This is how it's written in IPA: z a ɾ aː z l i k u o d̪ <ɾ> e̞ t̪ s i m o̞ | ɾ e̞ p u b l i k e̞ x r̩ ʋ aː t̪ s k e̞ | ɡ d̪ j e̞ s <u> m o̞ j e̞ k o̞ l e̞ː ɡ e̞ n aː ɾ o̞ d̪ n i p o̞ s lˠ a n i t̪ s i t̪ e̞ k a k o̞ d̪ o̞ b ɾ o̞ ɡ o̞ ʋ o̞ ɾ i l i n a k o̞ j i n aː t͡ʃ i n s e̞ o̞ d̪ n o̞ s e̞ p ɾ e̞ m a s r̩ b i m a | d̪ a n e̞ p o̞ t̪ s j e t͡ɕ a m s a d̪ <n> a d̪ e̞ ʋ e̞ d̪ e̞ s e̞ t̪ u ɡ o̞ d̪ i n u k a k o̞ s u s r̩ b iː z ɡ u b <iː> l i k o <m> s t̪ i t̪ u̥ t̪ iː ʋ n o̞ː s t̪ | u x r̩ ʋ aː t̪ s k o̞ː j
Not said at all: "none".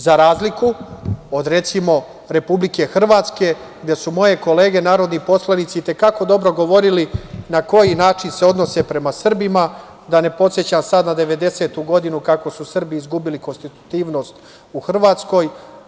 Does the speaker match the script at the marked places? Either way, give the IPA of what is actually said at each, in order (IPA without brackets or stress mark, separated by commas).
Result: ɾ, u, n, i, n